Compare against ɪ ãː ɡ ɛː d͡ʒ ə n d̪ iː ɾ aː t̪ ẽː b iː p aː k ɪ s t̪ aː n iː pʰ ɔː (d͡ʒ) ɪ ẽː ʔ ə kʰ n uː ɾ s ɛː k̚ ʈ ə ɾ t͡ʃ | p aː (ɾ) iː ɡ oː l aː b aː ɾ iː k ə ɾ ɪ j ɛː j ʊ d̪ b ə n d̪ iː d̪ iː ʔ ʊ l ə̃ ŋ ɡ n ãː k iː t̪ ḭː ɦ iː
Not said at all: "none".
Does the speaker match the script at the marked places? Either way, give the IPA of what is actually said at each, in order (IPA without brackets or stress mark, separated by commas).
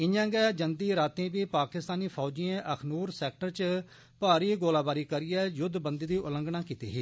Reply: d͡ʒ, ɾ